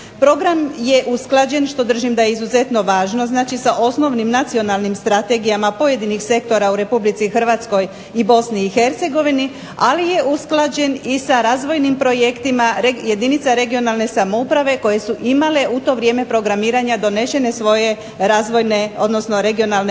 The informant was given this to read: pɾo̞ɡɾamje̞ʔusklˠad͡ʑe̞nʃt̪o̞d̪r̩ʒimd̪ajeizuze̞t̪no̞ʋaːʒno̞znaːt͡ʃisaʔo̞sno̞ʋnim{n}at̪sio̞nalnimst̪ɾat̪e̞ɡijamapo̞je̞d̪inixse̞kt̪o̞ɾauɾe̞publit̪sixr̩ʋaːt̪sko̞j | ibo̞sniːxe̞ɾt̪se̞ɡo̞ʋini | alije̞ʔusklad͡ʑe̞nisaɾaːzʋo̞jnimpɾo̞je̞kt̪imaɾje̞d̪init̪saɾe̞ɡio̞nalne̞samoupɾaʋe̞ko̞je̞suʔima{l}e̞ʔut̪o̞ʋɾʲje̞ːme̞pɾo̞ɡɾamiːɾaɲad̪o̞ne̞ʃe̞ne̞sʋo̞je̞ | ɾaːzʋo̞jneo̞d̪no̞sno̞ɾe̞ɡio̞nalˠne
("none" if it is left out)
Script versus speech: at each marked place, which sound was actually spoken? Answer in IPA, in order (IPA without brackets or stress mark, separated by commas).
n, l